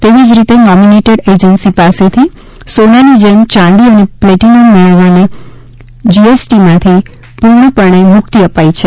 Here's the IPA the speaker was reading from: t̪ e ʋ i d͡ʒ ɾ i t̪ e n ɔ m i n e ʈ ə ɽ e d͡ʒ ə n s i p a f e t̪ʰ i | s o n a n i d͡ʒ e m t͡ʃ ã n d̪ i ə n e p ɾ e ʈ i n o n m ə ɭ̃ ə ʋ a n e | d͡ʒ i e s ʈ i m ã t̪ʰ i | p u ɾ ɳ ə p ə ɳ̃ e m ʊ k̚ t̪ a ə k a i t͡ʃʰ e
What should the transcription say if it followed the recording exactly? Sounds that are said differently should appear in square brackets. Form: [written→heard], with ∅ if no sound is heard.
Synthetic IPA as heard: t̪ e ʋ i d͡ʒ ɾ i t̪ e n ɔ m i n e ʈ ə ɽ e d͡ʒ ə n s i p a [f→s] e t̪ʰ i | s o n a n i d͡ʒ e m t͡ʃ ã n d̪ i ə n e p [ɾ→l] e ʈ i n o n m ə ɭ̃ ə ʋ a n e | d͡ʒ i e s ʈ i m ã t̪ʰ i | p u ɾ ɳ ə p ə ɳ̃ e m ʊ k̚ t̪ [a→i] ə [k→p] a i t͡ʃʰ e

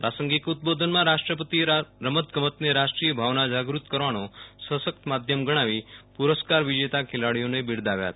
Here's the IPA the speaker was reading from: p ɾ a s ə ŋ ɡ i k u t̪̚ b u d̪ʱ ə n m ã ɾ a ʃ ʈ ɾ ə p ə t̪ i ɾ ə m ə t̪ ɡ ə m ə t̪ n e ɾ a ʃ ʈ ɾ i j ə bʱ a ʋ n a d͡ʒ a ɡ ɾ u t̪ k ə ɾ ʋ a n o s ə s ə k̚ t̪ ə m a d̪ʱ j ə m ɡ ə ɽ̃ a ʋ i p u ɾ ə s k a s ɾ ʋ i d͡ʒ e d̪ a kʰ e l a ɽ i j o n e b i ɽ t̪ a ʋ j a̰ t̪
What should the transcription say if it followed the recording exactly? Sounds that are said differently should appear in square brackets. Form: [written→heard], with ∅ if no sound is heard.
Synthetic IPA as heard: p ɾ a s ə ŋ ɡ i k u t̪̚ b [u→o] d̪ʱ ə n m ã ɾ a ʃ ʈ ɾ ə p ə t̪ i ɾ ə m ə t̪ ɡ ə m ə t̪ n e ɾ a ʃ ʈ ɾ i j ə bʱ a ʋ n a d͡ʒ a ɡ ɾ u t̪ k ə ɾ ʋ a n o s ə s ə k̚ t̪ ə m a d̪ʱ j ə m ɡ ə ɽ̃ a ʋ i p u ɾ ə s k a [s→∅] ɾ ʋ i d͡ʒ e [d̪→t̪] a kʰ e l a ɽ i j o n e b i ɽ [t̪→d̪] a ʋ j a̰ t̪

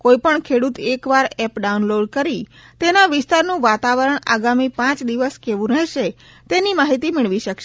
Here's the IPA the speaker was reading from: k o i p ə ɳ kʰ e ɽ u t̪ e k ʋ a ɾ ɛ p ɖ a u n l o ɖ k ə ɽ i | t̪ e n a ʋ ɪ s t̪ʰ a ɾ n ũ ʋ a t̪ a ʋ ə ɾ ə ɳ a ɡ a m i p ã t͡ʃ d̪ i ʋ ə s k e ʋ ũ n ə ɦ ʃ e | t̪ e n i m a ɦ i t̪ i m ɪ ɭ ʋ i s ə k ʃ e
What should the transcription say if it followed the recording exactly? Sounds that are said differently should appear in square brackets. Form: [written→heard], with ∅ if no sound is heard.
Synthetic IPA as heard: k o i p ə ɳ kʰ e ɽ u t̪ e k ʋ a ɾ ɛ p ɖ a u n l o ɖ k ə [ɽ→ɾ] i | t̪ e n a ʋ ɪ s [t̪ʰ→t̪] a ɾ n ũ ʋ a t̪ a ʋ ə ɾ ə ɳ a ɡ a m i p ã t͡ʃ d̪ i ʋ ə s k e ʋ ũ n ə ɦ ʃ e | t̪ e n i m a ɦ i t̪ i m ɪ ɭ ʋ i [s→ʃ] ə k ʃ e

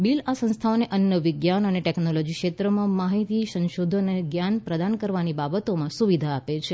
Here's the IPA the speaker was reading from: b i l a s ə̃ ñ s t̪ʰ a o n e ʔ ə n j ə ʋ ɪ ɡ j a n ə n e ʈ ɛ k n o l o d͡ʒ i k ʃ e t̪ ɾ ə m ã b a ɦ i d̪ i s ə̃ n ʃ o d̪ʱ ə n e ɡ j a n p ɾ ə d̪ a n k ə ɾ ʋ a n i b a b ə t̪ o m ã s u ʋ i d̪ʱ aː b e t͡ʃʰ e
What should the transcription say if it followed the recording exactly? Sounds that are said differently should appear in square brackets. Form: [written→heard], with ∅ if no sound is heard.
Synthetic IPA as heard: b i l a s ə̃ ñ s t̪ʰ a o n e ʔ ə n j ə ʋ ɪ ɡ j a n ə n e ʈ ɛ k n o l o d͡ʒ i k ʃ e t̪ ɾ ə m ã [b→m] a ɦ i [d̪→t̪] i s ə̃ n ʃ o d̪ʱ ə n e ɡ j a n p ɾ ə d̪ a n k ə ɾ ʋ a n i b a b ə t̪ o m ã s u ʋ i d̪ʱ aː [b→p] e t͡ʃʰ e

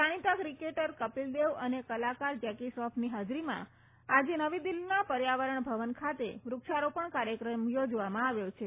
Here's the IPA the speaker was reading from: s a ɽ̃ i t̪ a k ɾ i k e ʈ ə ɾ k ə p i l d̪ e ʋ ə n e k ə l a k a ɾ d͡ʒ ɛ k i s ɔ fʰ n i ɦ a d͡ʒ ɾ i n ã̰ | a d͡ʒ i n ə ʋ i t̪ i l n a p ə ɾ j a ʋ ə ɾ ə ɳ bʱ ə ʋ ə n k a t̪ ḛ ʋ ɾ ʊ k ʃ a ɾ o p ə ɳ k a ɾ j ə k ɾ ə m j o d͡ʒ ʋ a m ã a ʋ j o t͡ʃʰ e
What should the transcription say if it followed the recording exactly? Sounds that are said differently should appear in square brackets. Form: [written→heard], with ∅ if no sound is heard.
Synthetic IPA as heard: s a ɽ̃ i t̪ a k ɾ i k e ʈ ə ɾ k ə p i l d̪ e ʋ ə n e k ə l a k a ɾ d͡ʒ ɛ k i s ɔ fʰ n i ɦ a d͡ʒ ɾ i [n→m] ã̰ | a d͡ʒ [i→e] n ə ʋ i [t̪→d̪] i l n a p ə ɾ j a ʋ ə ɾ ə ɳ bʱ ə ʋ ə n [k→kʰ] a t̪ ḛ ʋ ɾ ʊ k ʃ a ɾ o p ə ɳ k a ɾ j ə k ɾ ə m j o d͡ʒ ʋ a m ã a ʋ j o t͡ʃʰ e

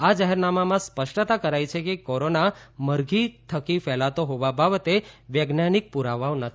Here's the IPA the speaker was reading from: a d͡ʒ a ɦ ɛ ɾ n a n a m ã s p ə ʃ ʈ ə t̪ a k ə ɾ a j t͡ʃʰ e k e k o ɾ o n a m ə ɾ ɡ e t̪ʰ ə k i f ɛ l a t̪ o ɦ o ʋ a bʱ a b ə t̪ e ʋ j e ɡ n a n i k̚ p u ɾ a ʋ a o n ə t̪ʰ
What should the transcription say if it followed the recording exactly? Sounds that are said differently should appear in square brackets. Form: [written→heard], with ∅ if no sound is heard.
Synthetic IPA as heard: a d͡ʒ a ɦ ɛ ɾ n a [n→m] a m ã s p ə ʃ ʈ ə t̪ a k ə ɾ a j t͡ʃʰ e k e k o ɾ o n a m ə ɾ ɡ [e→i] t̪ʰ ə k i f ɛ l a t̪ o ɦ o ʋ a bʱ a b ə t̪ e ʋ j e ɡ n a n i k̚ p u ɾ a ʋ a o n ə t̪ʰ

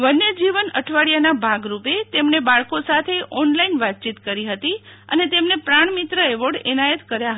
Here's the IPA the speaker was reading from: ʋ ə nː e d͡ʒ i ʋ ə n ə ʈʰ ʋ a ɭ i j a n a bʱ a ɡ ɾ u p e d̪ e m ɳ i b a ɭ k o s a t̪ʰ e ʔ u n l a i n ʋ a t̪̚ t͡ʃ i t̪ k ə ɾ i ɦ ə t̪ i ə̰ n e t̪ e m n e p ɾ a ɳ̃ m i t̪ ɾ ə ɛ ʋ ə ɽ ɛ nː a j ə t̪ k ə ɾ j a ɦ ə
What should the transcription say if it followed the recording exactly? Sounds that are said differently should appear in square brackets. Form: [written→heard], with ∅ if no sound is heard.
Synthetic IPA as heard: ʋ ə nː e d͡ʒ i ʋ ə n ə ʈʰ ʋ a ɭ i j a n a bʱ a ɡ ɾ u p e [d̪→t̪] e m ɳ [i→e] b a ɭ k o s a t̪ʰ e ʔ [u→ɔ] n l a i n ʋ a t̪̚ t͡ʃ i t̪ k ə ɾ i ɦ ə t̪ i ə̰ n e t̪ e m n e p ɾ a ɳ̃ m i t̪ ɾ ə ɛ ʋ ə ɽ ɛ [nː→n] a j ə t̪ k ə ɾ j a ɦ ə

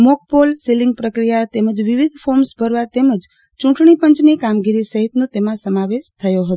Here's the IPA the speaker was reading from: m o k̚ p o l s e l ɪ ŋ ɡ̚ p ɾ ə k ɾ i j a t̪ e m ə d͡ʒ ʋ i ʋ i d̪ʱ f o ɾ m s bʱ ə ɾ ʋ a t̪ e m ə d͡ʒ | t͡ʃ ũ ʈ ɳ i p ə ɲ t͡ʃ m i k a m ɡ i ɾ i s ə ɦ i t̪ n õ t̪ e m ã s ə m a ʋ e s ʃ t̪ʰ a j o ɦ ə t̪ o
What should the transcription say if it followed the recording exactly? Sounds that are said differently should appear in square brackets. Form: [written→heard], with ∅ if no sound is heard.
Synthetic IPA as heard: m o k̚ p o l s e l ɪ ŋ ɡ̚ p ɾ ə k ɾ i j a t̪ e m ə d͡ʒ ʋ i ʋ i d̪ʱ f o ɾ m s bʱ ə ɾ ʋ a t̪ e m ə d͡ʒ | t͡ʃ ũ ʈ ɳ i p ə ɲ t͡ʃ [m→n] i k a m ɡ i ɾ i s ə ɦ i t̪ n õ t̪ e m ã s ə m a ʋ e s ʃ t̪ʰ [a→ə] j o ɦ ə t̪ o

